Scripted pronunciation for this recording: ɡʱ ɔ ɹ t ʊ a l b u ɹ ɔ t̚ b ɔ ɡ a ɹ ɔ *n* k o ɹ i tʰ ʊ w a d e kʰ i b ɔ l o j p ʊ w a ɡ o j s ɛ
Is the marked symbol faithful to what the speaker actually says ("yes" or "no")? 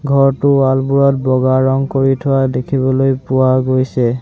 no